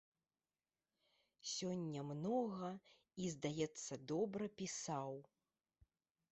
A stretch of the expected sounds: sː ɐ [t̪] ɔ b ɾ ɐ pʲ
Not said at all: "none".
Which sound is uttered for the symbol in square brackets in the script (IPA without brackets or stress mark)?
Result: d̪